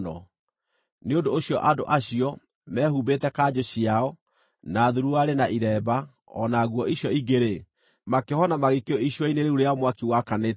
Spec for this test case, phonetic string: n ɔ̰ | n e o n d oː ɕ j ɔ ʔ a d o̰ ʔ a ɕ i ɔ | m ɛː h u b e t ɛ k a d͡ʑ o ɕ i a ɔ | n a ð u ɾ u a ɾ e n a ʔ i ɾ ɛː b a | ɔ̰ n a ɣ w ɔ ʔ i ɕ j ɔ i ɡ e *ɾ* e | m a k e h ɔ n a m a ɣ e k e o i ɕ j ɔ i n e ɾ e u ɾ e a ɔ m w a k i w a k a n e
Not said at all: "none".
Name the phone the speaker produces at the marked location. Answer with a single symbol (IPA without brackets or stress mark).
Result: ɾ